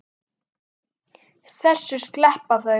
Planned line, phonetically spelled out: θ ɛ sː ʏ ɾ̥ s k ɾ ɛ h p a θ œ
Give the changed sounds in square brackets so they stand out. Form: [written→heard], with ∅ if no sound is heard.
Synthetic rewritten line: θ ɛ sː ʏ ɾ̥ s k [ɾ→l] ɛ h p a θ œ